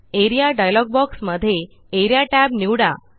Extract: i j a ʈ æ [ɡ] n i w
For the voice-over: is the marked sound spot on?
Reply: no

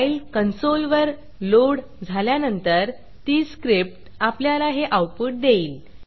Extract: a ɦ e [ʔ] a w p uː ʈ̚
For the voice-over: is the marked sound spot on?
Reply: yes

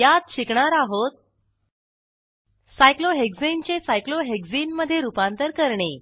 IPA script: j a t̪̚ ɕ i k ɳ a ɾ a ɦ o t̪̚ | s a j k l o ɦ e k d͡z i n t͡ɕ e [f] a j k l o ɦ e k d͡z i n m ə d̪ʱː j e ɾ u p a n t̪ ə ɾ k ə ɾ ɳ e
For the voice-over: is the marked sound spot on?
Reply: no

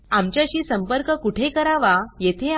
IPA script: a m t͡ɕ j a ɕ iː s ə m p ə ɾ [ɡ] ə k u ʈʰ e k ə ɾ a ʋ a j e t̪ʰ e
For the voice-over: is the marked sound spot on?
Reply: no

